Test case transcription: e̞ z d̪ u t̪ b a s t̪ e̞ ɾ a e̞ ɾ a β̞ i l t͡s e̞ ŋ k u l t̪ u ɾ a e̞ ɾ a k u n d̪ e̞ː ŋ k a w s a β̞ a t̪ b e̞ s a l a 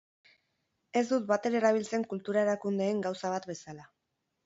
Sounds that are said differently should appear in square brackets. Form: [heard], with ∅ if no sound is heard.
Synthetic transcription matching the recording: e̞ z d̪ u t̪ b a [∅] t̪ e̞ ɾ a e̞ ɾ a β̞ i l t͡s e̞ ŋ k u l t̪ u ɾ a e̞ ɾ a k u n d̪ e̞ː ŋ [ɡ] a w s a β̞ a t̪ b e̞ s a l a